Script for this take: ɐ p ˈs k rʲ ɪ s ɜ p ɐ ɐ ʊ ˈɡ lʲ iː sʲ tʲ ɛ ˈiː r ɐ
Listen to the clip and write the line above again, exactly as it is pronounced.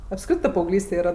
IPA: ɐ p ˈs k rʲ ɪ t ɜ p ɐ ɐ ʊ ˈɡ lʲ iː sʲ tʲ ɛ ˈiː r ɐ